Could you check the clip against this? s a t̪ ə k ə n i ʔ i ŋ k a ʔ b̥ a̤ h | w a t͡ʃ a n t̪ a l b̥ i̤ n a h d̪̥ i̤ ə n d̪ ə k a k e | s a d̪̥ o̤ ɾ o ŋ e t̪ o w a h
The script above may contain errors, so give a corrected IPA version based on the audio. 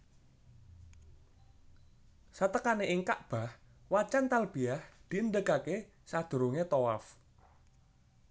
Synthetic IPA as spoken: s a t̪ ə k a n e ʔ i ŋ k a ʔ b̥ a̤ h | w a t͡ʃ a n t̪ a l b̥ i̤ a h d̪̥ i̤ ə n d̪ ə k a k e | s a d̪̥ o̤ ɾ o ŋ e t̪ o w a f